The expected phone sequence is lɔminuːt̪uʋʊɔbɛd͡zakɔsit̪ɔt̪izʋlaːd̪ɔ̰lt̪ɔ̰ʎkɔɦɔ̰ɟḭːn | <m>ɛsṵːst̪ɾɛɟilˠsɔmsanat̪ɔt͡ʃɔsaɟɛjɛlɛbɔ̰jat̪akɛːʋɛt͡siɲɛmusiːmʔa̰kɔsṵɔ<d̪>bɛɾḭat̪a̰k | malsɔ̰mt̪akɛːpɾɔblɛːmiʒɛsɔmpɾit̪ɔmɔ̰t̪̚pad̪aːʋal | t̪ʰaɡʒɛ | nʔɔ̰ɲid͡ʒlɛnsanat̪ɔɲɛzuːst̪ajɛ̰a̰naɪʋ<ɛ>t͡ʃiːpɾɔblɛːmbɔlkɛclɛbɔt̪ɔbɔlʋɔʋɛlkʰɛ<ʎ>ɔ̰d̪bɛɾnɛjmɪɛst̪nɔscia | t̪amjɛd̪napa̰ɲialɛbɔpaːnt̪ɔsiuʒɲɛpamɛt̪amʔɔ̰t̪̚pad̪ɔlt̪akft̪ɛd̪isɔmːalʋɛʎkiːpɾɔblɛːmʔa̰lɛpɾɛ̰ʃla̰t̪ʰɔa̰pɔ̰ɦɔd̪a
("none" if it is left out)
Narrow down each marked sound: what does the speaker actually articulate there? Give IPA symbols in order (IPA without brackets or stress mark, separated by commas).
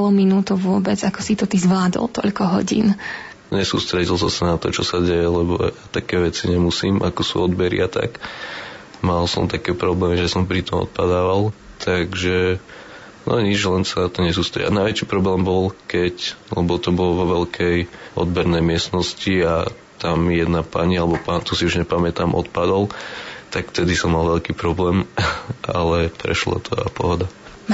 ɲ, d̪, ɛ, j